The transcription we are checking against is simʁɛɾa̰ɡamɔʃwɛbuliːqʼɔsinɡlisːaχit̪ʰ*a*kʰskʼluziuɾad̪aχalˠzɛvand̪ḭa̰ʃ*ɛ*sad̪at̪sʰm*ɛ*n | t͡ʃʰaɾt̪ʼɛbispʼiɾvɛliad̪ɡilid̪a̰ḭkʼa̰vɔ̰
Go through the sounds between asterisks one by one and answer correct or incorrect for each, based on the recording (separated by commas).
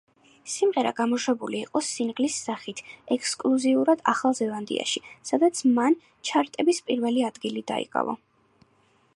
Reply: incorrect, incorrect, incorrect